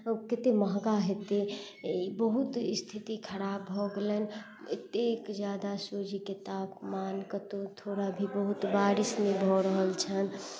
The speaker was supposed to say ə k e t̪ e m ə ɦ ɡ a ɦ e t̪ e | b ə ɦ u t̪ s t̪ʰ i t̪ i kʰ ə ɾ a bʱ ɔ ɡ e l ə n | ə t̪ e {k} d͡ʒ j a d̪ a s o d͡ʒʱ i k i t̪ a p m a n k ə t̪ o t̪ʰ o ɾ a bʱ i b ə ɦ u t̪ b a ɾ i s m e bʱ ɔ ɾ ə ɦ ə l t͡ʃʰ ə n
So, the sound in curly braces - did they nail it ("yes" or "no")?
yes